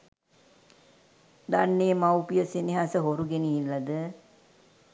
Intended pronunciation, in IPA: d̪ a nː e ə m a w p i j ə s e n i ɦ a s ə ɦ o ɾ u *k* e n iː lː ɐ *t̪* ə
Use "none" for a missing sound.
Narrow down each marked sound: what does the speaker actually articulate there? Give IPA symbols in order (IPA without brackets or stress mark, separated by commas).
ɡ, d̪